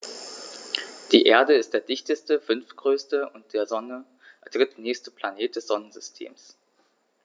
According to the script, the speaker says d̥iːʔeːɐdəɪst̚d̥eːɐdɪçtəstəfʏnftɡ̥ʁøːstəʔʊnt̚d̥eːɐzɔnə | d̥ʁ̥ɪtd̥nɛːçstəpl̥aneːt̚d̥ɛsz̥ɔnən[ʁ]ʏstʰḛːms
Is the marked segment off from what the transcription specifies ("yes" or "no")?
yes